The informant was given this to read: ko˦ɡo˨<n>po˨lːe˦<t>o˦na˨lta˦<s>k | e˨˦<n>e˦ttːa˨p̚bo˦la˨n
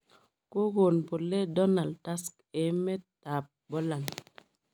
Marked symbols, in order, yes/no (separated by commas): yes, no, yes, no